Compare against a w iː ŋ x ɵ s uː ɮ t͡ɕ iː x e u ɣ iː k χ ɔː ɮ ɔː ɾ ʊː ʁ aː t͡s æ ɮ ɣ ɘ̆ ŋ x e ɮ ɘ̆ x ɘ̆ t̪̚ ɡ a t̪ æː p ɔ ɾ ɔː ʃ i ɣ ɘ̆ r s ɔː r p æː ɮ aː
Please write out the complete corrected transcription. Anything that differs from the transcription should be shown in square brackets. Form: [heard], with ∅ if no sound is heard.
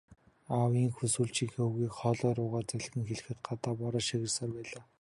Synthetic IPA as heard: a w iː ŋ x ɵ s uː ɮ t͡ɕ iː x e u ɣ iː k χ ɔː ɮ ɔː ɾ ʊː ʁ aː t͡s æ ɮ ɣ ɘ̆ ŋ x e ɮ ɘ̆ x ɘ̆ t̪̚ [ɢ] a t̪ [aː] p ɔ ɾ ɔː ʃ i ɣ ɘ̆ r s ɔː r p æː ɮ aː